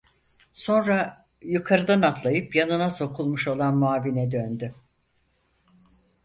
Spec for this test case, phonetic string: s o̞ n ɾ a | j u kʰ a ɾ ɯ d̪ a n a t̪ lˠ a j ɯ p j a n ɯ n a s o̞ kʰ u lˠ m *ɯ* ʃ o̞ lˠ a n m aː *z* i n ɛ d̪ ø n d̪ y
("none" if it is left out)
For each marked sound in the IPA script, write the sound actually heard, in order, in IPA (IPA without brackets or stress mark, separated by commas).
u, v